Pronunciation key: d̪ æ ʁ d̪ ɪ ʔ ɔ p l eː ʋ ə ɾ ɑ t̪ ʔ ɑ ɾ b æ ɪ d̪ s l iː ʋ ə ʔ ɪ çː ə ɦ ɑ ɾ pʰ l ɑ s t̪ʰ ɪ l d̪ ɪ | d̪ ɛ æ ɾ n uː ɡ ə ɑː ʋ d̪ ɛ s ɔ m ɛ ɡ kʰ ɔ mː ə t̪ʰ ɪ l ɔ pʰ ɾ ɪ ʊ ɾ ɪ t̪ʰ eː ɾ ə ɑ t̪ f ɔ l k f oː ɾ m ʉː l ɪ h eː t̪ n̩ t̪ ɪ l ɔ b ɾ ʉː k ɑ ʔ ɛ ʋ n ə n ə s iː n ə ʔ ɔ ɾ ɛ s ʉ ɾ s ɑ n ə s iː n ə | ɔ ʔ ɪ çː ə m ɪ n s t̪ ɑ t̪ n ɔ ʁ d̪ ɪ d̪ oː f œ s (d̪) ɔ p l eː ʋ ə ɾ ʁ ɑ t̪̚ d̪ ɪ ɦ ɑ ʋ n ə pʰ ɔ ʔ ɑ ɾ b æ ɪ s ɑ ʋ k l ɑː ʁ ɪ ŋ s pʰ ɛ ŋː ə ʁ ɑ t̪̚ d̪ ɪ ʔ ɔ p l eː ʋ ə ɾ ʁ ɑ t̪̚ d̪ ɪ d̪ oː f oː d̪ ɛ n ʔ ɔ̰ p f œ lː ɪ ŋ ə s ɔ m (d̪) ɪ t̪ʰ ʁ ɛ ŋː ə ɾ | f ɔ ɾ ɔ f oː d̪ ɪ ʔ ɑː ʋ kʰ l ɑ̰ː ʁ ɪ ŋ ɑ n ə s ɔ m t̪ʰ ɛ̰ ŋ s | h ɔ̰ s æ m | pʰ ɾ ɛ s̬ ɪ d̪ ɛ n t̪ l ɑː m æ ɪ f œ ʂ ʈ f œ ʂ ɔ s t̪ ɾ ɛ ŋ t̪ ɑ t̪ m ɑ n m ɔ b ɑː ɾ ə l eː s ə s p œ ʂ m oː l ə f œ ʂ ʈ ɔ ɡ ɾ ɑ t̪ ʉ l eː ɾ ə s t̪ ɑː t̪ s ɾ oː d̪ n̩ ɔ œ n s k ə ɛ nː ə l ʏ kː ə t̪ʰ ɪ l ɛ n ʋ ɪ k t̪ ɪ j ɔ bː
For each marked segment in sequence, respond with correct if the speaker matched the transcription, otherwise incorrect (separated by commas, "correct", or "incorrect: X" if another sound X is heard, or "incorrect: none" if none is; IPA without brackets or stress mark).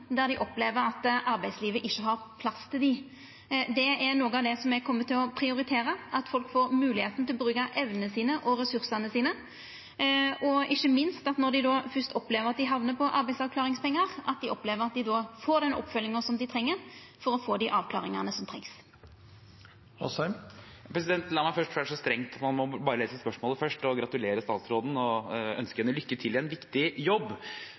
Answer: incorrect: t̪, correct